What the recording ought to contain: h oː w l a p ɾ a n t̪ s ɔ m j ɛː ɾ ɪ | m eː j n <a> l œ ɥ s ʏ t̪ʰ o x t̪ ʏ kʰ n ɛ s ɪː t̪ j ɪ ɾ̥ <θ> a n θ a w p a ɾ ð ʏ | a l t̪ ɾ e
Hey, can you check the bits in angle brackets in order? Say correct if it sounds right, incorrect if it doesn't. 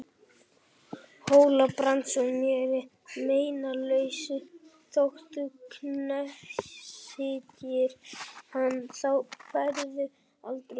correct, incorrect

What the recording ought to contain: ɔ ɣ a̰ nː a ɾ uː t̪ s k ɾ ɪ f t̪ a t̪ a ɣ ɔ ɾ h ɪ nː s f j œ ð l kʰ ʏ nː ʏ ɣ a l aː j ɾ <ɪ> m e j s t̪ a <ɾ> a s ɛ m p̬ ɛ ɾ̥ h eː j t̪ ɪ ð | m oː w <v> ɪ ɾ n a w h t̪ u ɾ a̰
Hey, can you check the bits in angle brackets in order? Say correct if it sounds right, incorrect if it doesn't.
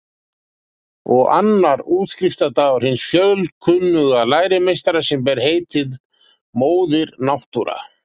correct, correct, incorrect

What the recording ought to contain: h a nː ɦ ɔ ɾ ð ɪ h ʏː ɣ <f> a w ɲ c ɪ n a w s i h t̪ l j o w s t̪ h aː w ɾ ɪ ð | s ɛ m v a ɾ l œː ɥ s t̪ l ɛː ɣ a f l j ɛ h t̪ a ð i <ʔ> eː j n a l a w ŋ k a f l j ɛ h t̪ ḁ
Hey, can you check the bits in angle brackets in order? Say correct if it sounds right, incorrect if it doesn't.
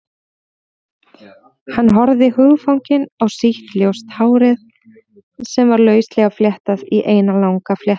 correct, correct

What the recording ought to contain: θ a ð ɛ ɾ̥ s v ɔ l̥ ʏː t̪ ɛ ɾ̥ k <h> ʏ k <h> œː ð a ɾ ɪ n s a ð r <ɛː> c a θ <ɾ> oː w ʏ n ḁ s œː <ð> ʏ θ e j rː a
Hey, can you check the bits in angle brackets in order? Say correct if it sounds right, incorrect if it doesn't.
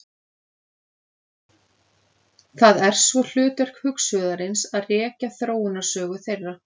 correct, incorrect, correct, correct, incorrect

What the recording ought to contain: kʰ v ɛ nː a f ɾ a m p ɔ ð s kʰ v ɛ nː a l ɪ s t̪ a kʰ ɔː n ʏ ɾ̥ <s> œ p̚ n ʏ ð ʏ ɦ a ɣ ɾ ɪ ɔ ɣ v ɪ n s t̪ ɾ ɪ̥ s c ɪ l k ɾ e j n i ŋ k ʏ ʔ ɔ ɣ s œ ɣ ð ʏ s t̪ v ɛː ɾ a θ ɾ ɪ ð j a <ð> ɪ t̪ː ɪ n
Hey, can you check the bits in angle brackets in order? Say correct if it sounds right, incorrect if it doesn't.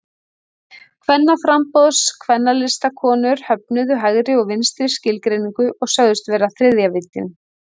incorrect, incorrect

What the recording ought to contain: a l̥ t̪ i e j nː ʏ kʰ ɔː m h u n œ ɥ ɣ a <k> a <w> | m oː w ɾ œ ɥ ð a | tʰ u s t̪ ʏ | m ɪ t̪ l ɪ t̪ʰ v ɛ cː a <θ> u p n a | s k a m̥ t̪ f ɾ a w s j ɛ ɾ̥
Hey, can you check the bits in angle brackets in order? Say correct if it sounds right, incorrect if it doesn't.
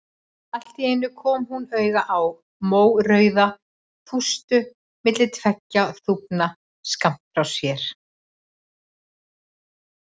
incorrect, correct, correct

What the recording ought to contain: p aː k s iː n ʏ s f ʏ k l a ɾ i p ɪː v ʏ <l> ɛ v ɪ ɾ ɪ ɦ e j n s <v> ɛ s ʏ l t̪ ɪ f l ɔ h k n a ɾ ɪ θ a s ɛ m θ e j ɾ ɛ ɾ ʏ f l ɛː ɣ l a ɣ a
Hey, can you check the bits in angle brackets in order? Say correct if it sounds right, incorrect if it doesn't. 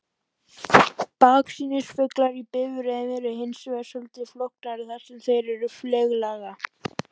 incorrect, correct

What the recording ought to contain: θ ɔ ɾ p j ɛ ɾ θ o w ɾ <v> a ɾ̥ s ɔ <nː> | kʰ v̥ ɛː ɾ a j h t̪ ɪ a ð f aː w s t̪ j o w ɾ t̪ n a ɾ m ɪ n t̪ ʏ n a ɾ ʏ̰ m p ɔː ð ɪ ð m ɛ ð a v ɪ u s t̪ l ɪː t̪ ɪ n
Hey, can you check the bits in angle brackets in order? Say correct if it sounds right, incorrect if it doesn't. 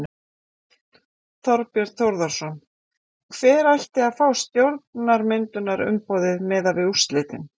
incorrect, incorrect

